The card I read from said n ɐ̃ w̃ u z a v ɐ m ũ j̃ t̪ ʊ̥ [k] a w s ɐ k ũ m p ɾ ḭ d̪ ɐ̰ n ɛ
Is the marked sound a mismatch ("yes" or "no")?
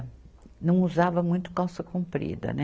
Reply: no